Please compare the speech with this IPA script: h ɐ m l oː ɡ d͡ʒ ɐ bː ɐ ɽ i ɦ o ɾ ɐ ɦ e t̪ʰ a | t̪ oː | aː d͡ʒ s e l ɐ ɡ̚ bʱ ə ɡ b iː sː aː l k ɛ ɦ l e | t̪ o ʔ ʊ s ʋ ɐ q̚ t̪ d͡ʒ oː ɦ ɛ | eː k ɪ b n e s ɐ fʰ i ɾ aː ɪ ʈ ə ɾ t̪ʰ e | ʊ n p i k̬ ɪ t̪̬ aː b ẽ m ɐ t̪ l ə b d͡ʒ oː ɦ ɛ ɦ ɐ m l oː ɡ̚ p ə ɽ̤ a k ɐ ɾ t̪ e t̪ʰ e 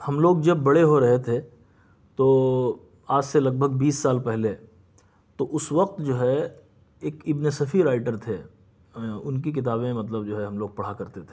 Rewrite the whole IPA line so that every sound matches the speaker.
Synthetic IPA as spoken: h ɐ m l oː ɡ d͡ʒ ɐ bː ɐ ɽ e ɦ o ɾ ɐ ɦ e t̪ʰ e | t̪ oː | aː d͡ʒ s e l ɐ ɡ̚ bʱ ə ɡ b iː sː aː l p ɛ ɦ l e | t̪ o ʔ ʊ s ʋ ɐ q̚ t̪ d͡ʒ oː ɦ ɛ | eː k ɪ b n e s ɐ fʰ i ɾ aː ɪ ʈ ə ɾ t̪ʰ e | ʊ n k i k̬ ɪ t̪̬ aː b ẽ m ɐ t̪ l ə b d͡ʒ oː ɦ ɛ ɦ ɐ m l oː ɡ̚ p ɐ ɽ̤ a k ɐ ɾ t̪ e t̪ʰ e

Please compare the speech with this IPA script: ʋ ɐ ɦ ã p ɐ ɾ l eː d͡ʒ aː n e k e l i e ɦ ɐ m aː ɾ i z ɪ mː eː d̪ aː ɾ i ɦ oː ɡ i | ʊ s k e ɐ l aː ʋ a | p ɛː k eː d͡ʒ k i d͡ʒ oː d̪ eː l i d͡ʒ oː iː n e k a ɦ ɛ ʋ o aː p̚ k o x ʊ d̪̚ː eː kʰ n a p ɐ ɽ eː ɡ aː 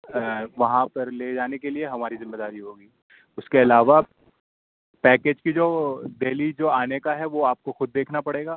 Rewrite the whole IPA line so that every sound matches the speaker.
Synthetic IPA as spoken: ʋ ɐ ɦ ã p ɐ ɾ l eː d͡ʒ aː n e k e l i e ɦ ɐ m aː ɾ i z ɪ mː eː d̪ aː ɾ i ɦ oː ɡ iː | ʊ s k e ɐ l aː ʋ a | p ɛː k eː d͡ʒ k i d͡ʒ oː d̪ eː l i d͡ʒ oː aː n e k a ɦ ɛ ʋ o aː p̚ k o x ʊ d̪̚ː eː kʰ n a p ɐ ɽ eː ɡ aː

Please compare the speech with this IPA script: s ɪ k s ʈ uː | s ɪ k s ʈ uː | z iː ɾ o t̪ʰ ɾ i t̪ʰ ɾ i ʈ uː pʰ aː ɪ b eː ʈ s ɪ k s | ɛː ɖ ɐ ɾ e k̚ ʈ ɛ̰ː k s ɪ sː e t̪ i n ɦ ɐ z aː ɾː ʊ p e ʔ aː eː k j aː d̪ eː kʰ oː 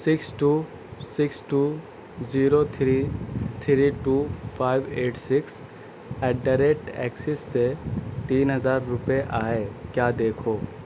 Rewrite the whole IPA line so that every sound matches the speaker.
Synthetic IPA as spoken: s ɪ k s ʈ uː | s ɪ k s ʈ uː | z iː ɾ o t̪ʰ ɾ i t̪ʰ ɾ i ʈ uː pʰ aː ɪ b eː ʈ s ɪ k s | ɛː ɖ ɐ ɾ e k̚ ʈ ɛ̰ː k s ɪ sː e t̪ iː n ɦ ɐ z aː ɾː ʊ p e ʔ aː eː k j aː d̪ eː kʰ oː

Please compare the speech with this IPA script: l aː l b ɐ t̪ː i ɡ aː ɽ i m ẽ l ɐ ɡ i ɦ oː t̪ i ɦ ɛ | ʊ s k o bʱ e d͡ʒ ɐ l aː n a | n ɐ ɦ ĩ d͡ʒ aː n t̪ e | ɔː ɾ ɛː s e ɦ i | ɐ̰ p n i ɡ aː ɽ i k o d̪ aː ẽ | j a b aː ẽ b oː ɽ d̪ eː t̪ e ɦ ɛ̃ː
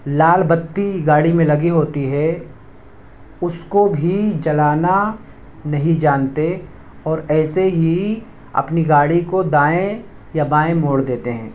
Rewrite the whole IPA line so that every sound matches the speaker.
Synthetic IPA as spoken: l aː l b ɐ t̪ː i ɡ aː ɽ i m ẽ l ɐ ɡ i ɦ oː t̪ i ɦ ɛ | ʊ s k o bʱ i d͡ʒ ɐ l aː n a | n ɐ ɦ ĩ d͡ʒ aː n t̪ e | ɔː ɾ ɛː s e ɦ i | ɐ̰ p n i ɡ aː ɽ i k o d̪ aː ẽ | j a b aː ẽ m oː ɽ d̪ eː t̪ e ɦ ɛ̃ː

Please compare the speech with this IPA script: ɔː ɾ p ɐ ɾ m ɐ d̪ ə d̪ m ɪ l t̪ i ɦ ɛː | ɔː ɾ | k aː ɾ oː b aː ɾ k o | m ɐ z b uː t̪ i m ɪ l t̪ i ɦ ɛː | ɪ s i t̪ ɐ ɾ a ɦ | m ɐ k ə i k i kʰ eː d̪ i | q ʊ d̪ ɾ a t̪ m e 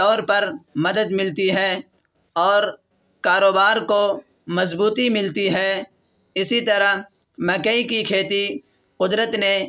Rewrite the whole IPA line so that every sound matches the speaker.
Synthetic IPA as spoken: ɔː ɾ p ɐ ɾ m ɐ d̪ ə d̪ m ɪ l t̪ i ɦ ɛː | ɔː ɾ | k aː ɾ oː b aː ɾ k o | m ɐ z b uː t̪ i m ɪ l t̪ i ɦ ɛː | ɪ s i t̪ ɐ ɾ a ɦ | m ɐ k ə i k i kʰ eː t̪ i | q ʊ d̪ ɾ ə t̪ n e

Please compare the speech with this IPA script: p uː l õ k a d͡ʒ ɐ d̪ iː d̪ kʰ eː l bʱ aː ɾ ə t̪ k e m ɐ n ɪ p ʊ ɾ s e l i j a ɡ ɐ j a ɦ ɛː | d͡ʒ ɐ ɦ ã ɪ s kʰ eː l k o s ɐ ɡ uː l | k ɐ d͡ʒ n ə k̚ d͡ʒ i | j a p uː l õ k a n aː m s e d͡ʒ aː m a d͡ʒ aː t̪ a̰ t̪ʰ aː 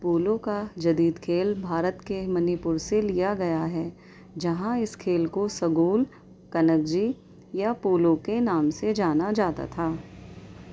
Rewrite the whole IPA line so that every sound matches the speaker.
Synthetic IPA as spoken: p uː l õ k a d͡ʒ ɐ d̪ iː d̪ kʰ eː l bʱ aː ɾ ə t̪ k e m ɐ n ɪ p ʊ ɾ s e l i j a ɡ ɐ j a ɦ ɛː | d͡ʒ ɐ ɦ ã ɪ s kʰ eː l k o s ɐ ɡ uː l | k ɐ n ə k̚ d͡ʒ i | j a p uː l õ k e n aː m s e d͡ʒ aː n a d͡ʒ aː t̪ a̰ t̪ʰ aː

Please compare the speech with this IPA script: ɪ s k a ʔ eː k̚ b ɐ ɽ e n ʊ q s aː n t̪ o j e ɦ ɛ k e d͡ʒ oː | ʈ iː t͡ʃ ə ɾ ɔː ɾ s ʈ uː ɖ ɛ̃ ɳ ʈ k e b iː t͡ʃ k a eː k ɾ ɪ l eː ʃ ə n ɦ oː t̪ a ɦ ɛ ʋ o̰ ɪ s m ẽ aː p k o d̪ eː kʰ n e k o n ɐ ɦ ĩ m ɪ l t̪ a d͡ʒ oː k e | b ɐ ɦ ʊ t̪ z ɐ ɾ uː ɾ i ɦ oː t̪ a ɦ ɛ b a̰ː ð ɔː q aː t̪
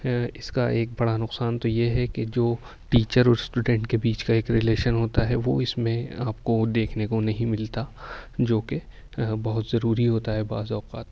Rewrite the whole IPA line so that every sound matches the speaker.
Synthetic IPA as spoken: ɪ s k a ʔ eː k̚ b ɐ ɽ a n ʊ q s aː n t̪ o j e ɦ ɛ k e d͡ʒ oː | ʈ iː t͡ʃ ə ɾ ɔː ɾ s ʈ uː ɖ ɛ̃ ɳ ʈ k e b iː t͡ʃ k a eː k ɾ ɪ l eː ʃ ə n ɦ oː t̪ a ɦ ɛ ʋ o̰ ɪ s m ẽ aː p k o d̪ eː kʰ n e k o n ɐ ɦ ĩ m ɪ l t̪ a d͡ʒ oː k e | b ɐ ɦ ʊ t̪ z ɐ ɾ uː ɾ i ɦ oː t̪ a ɦ ɛ b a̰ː z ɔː q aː t̪

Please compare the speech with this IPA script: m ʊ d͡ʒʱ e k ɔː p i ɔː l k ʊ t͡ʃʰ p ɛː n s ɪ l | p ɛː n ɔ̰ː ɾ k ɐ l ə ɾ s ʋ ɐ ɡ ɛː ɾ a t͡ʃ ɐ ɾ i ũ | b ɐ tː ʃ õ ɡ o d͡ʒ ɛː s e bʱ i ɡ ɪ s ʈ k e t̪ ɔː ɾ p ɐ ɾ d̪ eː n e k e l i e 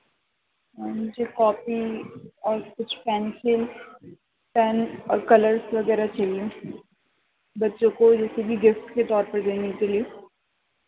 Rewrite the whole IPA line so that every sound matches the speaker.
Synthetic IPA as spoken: m ʊ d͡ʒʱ e k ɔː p i ɔː ɾ k ʊ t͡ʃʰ p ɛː n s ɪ l | p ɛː n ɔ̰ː ɾ k ɐ l ə ɾ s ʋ ɐ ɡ ɛː ɾ a t͡ʃ ɐ l i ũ | b ɐ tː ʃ õ k o d͡ʒ ɛː s e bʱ i ɡ ɪ f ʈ k e t̪ ɔː ɾ p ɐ ɾ d̪ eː n e k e l i e

